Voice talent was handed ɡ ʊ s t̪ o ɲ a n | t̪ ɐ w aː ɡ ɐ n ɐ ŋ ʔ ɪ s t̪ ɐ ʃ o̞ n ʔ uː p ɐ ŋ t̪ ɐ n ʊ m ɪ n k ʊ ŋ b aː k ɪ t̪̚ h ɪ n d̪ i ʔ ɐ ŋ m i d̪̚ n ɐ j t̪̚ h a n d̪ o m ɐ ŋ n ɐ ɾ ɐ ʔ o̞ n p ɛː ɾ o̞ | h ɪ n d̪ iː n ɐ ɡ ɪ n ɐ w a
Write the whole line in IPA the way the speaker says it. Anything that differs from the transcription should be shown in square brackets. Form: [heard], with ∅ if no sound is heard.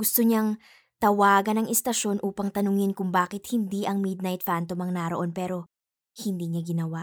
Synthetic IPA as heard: ɡ ʊ s t̪ o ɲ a [ŋ] | t̪ ɐ w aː ɡ ɐ n ɐ ŋ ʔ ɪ s t̪ ɐ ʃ o̞ n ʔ uː p ɐ ŋ t̪ ɐ n ʊ [ŋ] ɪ n k ʊ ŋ b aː k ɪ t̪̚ h ɪ n d̪ i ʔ ɐ ŋ m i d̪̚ n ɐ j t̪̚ [f] a n [t̪] o m ɐ ŋ n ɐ ɾ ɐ ʔ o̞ n p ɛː ɾ o̞ | h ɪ n d̪ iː [ɲ] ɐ ɡ ɪ n ɐ w a